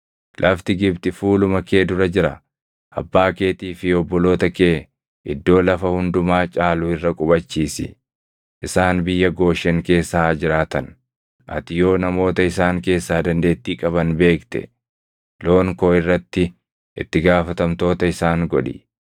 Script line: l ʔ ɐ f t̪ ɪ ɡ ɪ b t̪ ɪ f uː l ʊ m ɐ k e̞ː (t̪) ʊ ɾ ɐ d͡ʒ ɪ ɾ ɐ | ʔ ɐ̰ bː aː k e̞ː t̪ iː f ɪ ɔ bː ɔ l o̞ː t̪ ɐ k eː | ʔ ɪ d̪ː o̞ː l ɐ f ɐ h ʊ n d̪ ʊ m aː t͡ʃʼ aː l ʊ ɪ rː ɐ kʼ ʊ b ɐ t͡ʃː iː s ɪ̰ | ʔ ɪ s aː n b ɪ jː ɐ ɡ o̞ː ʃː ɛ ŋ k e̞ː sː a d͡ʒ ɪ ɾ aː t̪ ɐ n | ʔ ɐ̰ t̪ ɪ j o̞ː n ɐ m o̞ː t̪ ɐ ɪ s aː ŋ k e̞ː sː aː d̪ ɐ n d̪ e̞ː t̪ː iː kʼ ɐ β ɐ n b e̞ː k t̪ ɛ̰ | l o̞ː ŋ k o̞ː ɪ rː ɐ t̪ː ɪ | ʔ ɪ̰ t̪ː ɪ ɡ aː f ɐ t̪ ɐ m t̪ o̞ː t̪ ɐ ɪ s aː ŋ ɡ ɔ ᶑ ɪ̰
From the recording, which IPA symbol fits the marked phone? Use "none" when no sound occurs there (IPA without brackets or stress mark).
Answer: d̪